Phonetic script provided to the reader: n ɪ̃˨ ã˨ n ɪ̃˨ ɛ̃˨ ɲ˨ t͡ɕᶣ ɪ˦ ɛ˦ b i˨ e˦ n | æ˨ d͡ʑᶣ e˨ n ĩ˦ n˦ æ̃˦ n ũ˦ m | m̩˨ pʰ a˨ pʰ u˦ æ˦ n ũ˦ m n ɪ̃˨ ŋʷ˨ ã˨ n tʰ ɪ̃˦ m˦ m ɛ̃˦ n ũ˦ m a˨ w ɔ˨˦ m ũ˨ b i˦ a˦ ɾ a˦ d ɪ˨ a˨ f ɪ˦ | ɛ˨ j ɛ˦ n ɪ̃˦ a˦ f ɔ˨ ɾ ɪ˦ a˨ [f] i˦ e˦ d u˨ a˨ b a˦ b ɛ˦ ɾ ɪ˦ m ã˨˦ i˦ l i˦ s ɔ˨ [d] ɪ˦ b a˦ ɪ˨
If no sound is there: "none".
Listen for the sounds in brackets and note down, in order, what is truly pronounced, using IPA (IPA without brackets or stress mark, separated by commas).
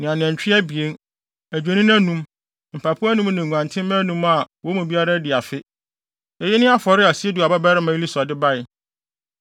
s, d